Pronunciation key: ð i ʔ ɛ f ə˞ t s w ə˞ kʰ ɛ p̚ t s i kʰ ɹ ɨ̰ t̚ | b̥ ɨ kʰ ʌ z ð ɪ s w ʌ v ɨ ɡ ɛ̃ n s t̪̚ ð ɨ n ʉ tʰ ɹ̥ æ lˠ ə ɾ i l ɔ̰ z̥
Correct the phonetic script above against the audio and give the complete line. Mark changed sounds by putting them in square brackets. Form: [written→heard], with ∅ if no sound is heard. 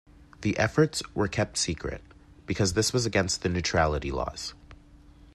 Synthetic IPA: ð i ʔ ɛ f ə˞ t s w ə˞ kʰ ɛ p̚ t s i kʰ ɹ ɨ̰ t̚ | b̥ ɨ kʰ ʌ z ð ɪ s w ʌ [v→z] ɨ ɡ ɛ̃ n s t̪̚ ð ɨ n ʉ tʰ ɹ̥ æ lˠ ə ɾ i l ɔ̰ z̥